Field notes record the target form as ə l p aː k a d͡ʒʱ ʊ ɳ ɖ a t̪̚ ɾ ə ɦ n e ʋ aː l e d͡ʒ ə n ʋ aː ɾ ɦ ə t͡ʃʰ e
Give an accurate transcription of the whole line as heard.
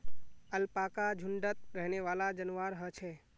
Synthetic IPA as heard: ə l p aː k a d͡ʒʱ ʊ ɳ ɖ ə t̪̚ ɾ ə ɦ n e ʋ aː l a d͡ʒ ə n ʋ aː ɾ ɦ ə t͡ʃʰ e